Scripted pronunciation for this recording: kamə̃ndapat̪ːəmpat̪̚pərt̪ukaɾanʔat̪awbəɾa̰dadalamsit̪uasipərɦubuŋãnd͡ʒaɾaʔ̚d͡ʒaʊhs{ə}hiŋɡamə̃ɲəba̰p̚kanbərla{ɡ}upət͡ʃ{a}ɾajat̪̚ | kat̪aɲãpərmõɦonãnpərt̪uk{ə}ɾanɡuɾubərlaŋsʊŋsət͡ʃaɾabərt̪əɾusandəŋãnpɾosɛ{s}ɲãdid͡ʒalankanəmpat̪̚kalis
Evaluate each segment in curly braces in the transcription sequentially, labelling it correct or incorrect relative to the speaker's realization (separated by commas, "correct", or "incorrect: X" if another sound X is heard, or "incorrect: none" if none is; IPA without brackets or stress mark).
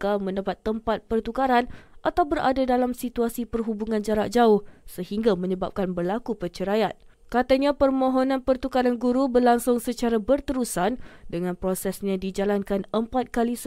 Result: correct, incorrect: k, incorrect: ə, incorrect: a, correct